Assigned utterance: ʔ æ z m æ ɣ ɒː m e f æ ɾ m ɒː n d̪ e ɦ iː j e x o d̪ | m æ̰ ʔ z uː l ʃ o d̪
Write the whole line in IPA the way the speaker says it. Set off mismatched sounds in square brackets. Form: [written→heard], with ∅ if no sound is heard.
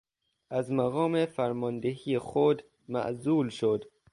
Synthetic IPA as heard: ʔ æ z m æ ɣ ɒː m e f æ ɾ m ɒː n d̪ e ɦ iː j e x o d̪ | m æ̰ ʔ z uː l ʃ o d̪